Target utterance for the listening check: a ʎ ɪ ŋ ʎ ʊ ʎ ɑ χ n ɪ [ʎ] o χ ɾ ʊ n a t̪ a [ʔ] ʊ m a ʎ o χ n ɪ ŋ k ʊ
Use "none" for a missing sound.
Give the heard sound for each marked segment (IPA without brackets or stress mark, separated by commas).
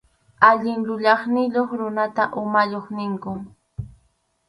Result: ʎ, ʔ